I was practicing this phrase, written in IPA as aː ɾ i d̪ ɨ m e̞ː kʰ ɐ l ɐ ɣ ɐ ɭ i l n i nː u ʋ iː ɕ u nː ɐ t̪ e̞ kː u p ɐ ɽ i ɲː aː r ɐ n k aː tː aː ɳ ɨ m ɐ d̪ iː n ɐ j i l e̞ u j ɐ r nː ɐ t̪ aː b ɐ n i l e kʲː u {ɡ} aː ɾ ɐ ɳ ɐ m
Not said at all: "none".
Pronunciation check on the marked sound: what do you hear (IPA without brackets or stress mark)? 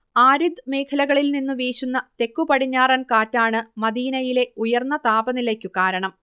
k